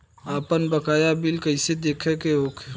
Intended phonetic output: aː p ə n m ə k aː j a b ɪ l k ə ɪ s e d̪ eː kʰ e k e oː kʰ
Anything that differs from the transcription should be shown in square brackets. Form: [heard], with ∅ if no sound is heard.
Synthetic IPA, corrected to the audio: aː p ə n [b] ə k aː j a b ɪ l k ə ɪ s e d̪ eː kʰ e k e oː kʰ